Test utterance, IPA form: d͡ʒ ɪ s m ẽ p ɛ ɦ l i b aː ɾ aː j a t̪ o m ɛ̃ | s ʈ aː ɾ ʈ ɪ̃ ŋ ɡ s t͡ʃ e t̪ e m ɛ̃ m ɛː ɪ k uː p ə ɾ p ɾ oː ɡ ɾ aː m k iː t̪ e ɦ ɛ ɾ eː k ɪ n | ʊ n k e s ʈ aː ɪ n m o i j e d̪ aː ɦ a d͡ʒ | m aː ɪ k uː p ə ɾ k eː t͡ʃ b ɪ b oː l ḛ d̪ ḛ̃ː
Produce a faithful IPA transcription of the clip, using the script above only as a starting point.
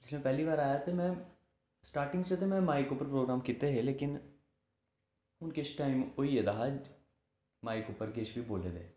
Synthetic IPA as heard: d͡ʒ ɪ s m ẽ p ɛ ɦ l i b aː ɾ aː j a t̪ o m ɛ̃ | s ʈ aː ɾ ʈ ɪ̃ ŋ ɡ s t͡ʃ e t̪ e m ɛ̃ m aː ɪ k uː p ə ɾ p ɾ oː ɡ ɾ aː m k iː t̪ e ɦ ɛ l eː k ɪ n | ʊ n k e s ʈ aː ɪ m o i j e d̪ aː ɦ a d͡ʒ | m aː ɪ k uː p ə ɾ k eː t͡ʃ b i b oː l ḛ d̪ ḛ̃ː